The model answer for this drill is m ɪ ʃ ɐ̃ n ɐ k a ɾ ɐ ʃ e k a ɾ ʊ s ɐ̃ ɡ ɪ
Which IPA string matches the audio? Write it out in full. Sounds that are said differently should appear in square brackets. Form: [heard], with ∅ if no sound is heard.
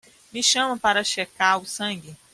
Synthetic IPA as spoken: m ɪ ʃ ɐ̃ [m] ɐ [p] a ɾ ɐ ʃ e k a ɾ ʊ s ɐ̃ ɡ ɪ